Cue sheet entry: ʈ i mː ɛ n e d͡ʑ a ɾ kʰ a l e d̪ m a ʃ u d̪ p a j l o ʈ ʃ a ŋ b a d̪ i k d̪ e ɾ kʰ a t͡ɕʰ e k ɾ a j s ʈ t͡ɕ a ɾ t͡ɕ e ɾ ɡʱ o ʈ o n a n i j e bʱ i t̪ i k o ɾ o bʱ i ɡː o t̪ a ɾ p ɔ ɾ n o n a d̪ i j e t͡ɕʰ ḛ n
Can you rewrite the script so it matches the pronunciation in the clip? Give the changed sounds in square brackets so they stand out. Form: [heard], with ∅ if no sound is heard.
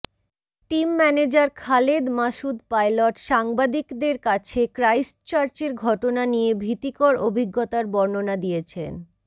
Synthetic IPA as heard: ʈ i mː ɛ n e d͡ʑ a ɾ kʰ a l e d̪ m a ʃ u d̪ p a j l o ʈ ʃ a ŋ b a d̪ i k d̪ e ɾ [k] a t͡ɕʰ e k ɾ a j s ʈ t͡ɕ a ɾ t͡ɕ e ɾ ɡʱ [ɔ] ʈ o n a n i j e bʱ i t̪ i k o ɾ o bʱ i ɡː o t̪ a ɾ [b] ɔ ɾ n o n a d̪ i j e t͡ɕʰ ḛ n